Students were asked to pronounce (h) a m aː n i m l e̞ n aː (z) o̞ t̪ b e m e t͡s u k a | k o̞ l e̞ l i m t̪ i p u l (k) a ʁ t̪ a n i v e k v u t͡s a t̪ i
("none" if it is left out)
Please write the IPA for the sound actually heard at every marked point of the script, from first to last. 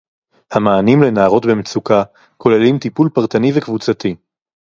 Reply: h, ʁ, p

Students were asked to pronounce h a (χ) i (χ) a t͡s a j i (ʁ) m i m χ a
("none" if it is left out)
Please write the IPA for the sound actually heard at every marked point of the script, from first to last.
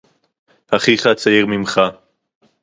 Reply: χ, χ, ʁ

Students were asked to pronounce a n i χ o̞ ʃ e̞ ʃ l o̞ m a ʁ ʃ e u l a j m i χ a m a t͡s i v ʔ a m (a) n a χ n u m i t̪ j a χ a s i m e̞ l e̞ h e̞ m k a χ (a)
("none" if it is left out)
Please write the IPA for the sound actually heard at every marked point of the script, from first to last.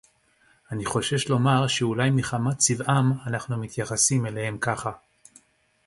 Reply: a, a

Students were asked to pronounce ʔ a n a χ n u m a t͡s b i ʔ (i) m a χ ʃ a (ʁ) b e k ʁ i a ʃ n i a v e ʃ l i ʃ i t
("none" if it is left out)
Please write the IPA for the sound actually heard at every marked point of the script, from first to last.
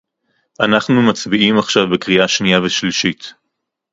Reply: i, v

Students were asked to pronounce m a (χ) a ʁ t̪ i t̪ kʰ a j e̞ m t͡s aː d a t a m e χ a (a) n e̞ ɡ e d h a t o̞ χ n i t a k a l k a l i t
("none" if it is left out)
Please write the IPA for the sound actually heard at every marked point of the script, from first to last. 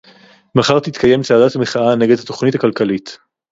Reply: χ, a

